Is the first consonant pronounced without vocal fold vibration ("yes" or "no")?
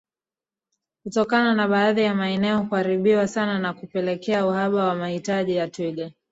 yes